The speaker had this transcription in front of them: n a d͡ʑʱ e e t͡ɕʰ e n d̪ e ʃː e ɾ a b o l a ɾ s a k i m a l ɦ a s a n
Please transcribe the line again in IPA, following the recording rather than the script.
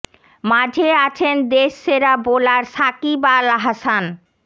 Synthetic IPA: m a d͡ʑʱ e a t͡ɕʰ e n d̪ e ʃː e ɾ a b o l a ɾ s a k i b a l ɦ a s a n

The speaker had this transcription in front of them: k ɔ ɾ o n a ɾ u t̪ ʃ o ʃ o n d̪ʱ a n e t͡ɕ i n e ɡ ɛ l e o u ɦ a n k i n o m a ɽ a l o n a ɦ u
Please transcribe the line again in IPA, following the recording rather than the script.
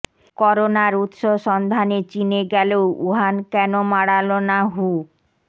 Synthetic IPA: k ɔ ɾ o n a ɾ u t̪ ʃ o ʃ ɔ n d̪ʱ a n e t͡ɕ i n e ɡ ɛ l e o u ɦ a n k ɛ n o m a ɽ a l o n a ɦ u

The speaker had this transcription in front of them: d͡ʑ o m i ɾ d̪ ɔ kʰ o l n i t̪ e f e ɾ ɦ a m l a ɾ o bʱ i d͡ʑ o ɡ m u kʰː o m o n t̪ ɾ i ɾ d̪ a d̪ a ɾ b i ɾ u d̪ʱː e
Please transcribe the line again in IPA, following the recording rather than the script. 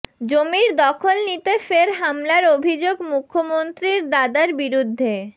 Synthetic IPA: d͡ʑ o m i ɾ d̪ ɔ kʰ o l n i t̪ e f e ɾ ɦ a m l a ɾ o bʱ i d͡ʑ o ɡ m u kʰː o m o n t̪ ɾ i ɾ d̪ a d̪ a ɾ b i ɾ u d̪ʱː e

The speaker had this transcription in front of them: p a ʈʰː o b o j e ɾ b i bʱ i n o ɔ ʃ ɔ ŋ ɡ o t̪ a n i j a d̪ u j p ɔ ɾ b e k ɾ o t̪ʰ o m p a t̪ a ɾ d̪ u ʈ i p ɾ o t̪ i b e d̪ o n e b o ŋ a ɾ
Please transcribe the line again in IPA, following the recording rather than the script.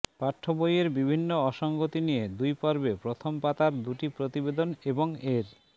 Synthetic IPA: p a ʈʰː o b o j e ɾ b i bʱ i nː o ɔ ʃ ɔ ŋ ɡ o t̪ i n i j e d̪ u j p ɔ ɾ b e p ɾ o t̪ʰ o m p a t̪ a ɾ d̪ u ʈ i p ɾ o t̪ i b e d̪ o n e b o ŋ e ɾ

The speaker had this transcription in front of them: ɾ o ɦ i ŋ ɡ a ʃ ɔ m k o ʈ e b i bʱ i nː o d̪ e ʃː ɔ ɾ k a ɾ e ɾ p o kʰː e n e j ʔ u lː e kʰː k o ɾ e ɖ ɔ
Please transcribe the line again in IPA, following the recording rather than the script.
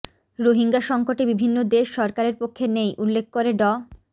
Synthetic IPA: ɾ o ɦ i ŋ ɡ a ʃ ɔ ŋ k o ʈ e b i bʱ i nː o d̪ e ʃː ɔ ɾ k a ɾ e ɾ p o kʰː e n e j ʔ u lː e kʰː k o ɾ e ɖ ɔ

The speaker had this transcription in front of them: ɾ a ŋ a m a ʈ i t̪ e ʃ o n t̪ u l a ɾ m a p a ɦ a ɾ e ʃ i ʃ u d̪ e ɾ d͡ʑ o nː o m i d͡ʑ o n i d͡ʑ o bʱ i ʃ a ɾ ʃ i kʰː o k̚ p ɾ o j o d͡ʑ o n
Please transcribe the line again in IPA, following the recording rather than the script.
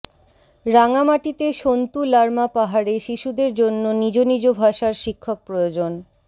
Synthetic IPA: ɾ a ŋ a m a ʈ i t̪ e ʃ o n t̪ u l a ɾ m a p a ɦ a ɾ e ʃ i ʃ u d̪ e ɾ d͡ʑ o nː o n i d͡ʑ o n i d͡ʑ o bʱ a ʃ a ɾ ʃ i kʰː o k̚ p ɾ o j o d͡ʑ o n

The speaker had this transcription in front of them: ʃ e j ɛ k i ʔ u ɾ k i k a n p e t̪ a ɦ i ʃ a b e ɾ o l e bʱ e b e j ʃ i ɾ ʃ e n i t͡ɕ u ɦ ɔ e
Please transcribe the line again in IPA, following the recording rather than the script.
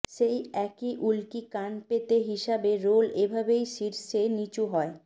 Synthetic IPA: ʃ e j ɛ k i ʔ u l k i k a n p e t̪ e ɦ i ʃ a b e ɾ o l e bʱ a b e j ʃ i ɾ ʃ e n i t͡ɕ u ɦ ɔ e

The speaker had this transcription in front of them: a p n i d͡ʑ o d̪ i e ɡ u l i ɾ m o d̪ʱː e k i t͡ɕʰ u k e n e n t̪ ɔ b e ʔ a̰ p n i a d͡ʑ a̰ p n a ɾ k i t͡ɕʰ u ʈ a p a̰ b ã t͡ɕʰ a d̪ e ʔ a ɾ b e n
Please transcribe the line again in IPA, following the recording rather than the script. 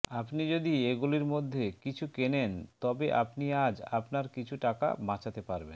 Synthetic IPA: a p n i d͡ʑ o d̪ i e ɡ u l i ɾ m o d̪ʱː e k i t͡ɕʰ u k e n e n t̪ ɔ b e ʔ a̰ p n i a d͡ʑ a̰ p n a ɾ k i t͡ɕʰ u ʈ a k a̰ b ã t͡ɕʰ a t̪ e p a ɾ b e n

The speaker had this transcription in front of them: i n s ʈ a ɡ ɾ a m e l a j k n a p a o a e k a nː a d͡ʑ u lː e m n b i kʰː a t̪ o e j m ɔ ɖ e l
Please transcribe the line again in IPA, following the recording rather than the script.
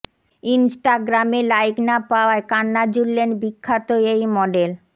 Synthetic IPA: i n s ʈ a ɡ ɾ a m e l a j k n a p a o a e k a nː a d͡ʑ u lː e n b i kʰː a t̪ o e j m ɔ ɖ e l

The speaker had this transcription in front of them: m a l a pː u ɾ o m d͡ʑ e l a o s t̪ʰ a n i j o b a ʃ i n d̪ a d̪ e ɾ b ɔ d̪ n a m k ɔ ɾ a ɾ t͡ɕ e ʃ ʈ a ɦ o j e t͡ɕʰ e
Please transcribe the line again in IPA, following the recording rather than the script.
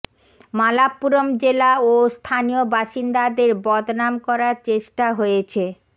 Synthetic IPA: m a l a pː u ɾ o m d͡ʑ e l a o s t̪ʰ a n i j o b a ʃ i n d̪ a d̪ e ɾ b ɔ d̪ n a m k ɔ ɾ a ɾ t͡ɕ e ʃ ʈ a ɦ o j e t͡ɕʰ e

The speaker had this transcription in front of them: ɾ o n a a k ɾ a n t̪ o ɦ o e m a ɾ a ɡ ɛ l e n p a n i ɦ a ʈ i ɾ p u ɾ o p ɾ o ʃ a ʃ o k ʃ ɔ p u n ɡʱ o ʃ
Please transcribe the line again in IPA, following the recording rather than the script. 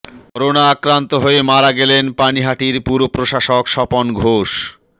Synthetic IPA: ɾ o n a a k ɾ a n t̪ o ɦ o e m a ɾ a ɡ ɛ l e n p a n i ɦ a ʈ i ɾ p u ɾ o p ɾ o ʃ a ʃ o k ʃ ɔ p o n ɡʱ o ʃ

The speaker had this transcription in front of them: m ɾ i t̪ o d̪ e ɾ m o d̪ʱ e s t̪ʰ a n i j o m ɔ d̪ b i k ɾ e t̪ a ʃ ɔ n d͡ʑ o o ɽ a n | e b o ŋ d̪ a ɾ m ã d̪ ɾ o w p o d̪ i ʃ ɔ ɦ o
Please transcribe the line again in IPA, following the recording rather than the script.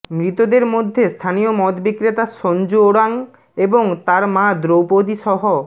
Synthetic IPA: m ɾ i t̪ o d̪ e ɾ m o d̪ʱː e s t̪ʰ a n i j o m ɔ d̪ b i k ɾ e t̪ a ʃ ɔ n d͡ʑ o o ɽ a ŋ | e b o ŋ t̪ a ɾ m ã d̪ ɾ o w p o d̪ i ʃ ɔ ɦ o

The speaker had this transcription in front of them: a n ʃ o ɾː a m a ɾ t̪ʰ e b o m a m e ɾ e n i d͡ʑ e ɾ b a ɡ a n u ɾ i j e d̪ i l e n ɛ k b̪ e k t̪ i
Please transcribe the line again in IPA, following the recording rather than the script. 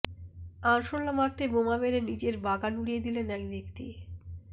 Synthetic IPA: a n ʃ o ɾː a m a ɾ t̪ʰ e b o m a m e ɾ e n i d͡ʑ e ɾ b a ɡ a n u ɽ i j e d̪ i l e n ɛ k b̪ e k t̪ i

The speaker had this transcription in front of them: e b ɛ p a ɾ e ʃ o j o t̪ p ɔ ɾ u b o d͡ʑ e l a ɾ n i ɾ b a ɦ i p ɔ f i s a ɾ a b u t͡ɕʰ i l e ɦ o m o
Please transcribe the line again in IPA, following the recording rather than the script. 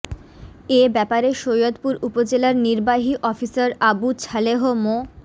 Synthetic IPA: e b ɛ p a ɾ e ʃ o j o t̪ p u ɾ u p o d͡ʑ e l a ɾ n i ɾ b a ɦ i ʔ ɔ f i s a ɾ a b u t͡ɕʰ a l e ɦ o m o

